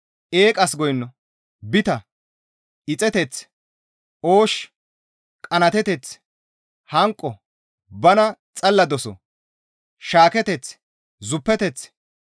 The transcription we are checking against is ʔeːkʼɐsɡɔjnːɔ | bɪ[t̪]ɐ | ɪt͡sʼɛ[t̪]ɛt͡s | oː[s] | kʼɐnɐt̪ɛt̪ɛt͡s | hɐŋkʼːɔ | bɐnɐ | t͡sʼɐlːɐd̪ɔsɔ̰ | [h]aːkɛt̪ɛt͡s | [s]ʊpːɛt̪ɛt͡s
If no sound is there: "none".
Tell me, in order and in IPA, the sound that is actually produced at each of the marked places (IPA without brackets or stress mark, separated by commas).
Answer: t̪, t̪, ʃ, ʃ, z